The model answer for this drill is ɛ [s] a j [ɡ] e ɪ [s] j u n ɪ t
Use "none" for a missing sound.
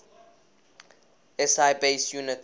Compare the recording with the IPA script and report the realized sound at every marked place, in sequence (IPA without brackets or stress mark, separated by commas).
s, b, s